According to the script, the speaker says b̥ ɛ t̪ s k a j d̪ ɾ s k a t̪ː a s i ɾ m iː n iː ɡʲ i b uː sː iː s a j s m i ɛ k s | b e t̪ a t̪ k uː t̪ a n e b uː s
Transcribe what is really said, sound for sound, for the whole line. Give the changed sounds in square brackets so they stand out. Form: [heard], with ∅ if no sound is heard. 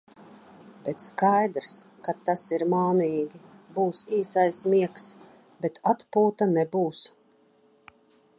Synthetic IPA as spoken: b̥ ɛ t̪ s k a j d̪ ɾ s k a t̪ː a s i ɾ m [aː] n iː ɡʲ i b uː [s] iː s a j s m i ɛ k s | b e t̪ a t̪ [p] uː t̪ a n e b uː s